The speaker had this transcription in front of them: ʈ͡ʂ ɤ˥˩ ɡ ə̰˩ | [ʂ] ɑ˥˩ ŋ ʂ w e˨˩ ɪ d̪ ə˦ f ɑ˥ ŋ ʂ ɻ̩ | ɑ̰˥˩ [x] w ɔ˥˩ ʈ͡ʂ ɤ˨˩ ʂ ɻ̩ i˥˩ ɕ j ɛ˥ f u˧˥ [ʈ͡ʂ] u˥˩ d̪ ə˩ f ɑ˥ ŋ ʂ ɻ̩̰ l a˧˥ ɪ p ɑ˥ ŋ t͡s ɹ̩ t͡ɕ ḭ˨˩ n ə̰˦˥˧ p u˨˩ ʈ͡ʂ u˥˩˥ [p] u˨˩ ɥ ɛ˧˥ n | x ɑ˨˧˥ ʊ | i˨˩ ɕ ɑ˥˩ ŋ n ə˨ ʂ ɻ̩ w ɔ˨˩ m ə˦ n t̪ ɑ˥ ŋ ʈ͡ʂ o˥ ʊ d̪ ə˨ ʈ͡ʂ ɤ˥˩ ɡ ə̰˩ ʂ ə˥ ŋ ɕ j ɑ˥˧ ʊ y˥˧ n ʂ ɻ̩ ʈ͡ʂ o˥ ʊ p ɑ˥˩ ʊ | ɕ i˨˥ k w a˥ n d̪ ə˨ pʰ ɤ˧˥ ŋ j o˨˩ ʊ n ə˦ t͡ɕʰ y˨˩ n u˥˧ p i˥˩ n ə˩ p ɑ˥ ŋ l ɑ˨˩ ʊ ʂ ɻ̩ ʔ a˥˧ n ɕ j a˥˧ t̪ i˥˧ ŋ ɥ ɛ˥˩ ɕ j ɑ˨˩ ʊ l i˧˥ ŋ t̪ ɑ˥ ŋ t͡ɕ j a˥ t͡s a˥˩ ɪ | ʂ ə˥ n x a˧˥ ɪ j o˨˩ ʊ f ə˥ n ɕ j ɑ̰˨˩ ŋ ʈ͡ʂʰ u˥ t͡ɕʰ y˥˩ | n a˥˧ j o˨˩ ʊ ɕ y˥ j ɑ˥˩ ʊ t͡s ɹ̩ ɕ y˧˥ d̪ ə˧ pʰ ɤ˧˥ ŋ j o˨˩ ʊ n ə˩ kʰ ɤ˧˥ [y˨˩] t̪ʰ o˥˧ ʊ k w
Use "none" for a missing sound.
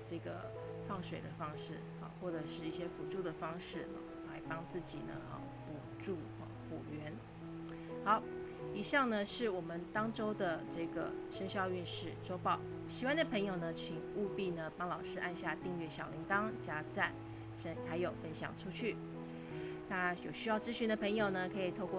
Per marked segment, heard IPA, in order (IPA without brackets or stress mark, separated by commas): f, x, ʈ͡ʂ, p, i˨˩